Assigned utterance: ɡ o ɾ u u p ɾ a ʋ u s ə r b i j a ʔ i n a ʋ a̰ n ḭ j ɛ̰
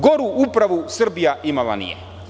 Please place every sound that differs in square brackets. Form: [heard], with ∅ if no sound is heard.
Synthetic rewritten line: ɡ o ɾ u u p ɾ a ʋ u s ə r b i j a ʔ i [m] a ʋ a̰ n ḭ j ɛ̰